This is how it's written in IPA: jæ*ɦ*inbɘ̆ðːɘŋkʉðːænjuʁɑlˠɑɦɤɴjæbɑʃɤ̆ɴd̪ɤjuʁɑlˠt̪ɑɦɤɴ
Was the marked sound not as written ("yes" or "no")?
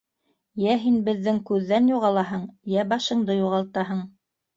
no